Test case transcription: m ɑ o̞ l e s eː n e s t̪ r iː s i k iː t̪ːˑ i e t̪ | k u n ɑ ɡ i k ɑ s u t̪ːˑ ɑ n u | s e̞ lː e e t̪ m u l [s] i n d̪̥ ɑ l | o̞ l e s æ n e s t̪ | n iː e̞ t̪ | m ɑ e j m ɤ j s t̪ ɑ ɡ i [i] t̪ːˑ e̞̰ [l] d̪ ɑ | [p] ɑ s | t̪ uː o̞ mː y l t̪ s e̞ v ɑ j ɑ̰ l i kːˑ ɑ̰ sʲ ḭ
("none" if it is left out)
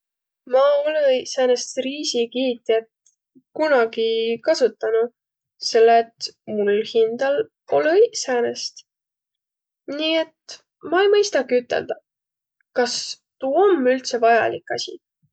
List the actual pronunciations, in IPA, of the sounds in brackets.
h, y, l, k

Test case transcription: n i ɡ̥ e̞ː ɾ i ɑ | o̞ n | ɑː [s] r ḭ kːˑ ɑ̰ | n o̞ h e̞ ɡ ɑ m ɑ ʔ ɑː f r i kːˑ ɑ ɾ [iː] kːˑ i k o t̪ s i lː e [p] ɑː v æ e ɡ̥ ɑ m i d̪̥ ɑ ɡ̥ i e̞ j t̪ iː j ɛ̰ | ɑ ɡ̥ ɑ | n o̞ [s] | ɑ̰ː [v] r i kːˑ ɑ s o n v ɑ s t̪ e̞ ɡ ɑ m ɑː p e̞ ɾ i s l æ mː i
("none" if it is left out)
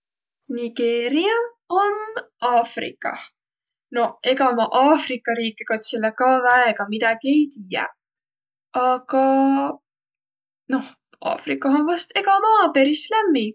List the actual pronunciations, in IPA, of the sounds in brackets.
f, iː, k, h, f

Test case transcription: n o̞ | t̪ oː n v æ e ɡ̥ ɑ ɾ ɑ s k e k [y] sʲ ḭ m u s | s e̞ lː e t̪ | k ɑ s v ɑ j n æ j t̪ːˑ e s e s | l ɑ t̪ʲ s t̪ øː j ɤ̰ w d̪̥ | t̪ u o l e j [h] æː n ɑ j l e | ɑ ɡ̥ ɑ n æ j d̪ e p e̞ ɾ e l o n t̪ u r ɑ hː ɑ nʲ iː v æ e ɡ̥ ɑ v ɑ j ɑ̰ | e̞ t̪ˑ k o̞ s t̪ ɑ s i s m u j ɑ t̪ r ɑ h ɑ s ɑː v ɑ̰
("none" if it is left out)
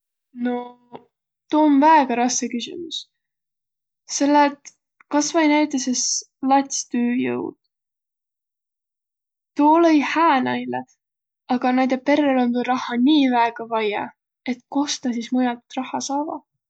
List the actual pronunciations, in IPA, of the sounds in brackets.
y, h

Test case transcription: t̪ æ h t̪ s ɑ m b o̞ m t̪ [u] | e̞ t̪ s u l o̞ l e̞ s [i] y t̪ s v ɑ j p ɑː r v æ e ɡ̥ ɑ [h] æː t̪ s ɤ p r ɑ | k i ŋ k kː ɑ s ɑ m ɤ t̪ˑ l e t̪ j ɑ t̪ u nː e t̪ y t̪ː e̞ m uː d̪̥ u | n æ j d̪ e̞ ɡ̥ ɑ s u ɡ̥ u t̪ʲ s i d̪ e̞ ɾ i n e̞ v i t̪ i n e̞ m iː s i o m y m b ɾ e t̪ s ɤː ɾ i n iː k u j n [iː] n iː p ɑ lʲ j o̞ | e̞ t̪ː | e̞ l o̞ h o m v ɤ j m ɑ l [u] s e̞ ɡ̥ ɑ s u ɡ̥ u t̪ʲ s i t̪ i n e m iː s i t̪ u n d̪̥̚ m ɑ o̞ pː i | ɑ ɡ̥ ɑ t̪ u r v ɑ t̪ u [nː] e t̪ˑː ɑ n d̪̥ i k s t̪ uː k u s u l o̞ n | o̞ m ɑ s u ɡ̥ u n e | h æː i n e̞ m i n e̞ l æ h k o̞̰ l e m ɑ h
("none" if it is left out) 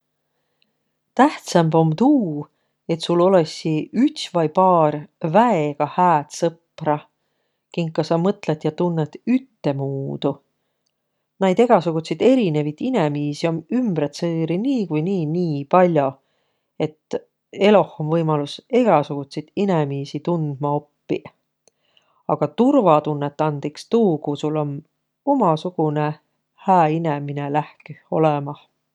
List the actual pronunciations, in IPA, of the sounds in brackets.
uː, i, h, iː, u, nː

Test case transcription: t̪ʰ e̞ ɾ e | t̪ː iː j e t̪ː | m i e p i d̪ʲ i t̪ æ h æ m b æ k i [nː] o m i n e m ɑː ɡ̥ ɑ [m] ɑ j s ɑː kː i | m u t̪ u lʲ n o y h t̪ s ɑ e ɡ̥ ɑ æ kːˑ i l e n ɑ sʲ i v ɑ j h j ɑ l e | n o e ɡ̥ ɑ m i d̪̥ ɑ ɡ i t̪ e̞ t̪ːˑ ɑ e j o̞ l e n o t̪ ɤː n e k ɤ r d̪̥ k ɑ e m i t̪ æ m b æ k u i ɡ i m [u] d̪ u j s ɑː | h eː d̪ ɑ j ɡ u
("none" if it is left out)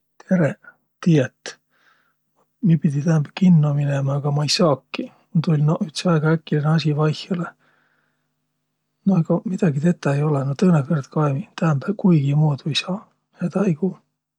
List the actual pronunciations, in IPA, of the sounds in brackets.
nː, m, uː

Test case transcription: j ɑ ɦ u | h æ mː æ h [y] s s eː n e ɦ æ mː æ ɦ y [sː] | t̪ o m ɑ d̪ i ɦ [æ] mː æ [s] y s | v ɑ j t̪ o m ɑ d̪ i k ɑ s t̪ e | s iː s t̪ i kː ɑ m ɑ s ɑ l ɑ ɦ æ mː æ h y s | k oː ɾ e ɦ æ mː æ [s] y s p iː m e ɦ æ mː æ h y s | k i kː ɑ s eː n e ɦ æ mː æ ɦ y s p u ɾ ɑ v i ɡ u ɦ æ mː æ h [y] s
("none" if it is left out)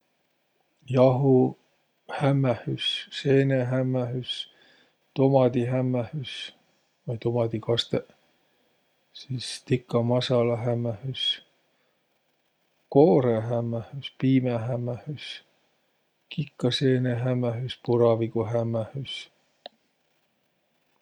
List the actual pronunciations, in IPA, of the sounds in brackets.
y, s, æ, h, h, y

